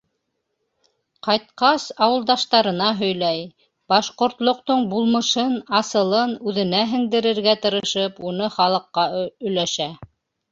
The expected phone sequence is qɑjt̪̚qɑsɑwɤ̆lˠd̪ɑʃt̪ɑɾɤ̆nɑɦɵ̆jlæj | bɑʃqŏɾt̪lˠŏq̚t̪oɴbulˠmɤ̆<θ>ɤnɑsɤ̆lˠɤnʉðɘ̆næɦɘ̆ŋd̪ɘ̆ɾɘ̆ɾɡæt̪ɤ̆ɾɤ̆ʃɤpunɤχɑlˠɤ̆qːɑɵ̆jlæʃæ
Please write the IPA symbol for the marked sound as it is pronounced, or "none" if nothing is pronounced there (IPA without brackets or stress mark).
ʃ